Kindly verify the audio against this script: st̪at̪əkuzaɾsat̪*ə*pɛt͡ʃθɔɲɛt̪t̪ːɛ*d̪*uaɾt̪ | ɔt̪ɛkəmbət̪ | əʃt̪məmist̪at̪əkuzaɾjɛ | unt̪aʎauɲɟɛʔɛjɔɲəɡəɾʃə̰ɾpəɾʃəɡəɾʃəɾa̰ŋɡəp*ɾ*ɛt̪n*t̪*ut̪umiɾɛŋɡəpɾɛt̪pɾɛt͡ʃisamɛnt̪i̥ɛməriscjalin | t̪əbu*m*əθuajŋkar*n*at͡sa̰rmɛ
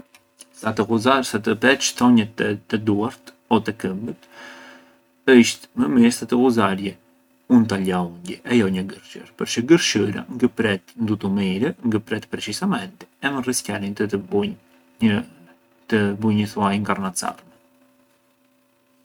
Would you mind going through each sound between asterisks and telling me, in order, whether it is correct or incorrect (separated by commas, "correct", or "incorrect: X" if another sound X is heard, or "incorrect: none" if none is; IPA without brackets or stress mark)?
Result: correct, correct, correct, incorrect: d̪, incorrect: ɲ, correct